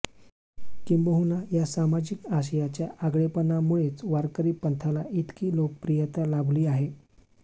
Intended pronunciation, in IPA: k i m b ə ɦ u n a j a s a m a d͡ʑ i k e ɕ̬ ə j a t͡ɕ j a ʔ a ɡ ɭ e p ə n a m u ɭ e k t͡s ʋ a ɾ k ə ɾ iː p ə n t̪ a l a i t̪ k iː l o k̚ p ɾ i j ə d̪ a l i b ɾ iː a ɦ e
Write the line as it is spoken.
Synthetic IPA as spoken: k i m b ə ɦ u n a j a s a m a d͡ʑ i k a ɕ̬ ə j a t͡ɕ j a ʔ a ɡ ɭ e p ə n a m u ɭ e t͡s ʋ a ɾ k ə ɾ iː p ə n t̪ʰ a l a i t̪ k iː l o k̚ p ɾ i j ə t̪ a l a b l iː a ɦ e